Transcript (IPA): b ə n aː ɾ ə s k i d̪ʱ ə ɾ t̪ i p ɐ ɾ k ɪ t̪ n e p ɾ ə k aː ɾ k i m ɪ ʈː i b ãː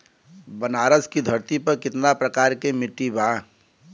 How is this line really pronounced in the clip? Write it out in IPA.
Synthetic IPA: b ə n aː ɾ ə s k i d̪ʱ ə ɾ t̪ i p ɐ ɾ k ɪ t̪ n a p ɾ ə k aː ɾ k e m ɪ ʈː i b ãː